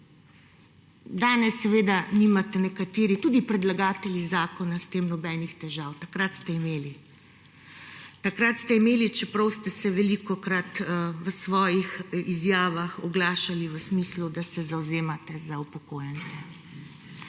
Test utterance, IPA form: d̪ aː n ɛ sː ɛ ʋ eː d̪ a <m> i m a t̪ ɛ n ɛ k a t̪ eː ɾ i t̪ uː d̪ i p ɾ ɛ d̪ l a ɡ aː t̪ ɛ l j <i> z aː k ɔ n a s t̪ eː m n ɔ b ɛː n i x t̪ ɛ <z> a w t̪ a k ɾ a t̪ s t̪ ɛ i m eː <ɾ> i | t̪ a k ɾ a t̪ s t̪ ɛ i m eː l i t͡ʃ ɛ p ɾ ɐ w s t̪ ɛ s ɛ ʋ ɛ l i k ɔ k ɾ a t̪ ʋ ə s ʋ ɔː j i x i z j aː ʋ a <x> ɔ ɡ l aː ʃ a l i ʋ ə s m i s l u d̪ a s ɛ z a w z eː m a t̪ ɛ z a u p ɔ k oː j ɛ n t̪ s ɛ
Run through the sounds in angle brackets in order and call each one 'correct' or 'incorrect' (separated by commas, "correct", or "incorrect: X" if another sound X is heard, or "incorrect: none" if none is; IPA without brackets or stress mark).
incorrect: n, correct, incorrect: ʒ, incorrect: l, correct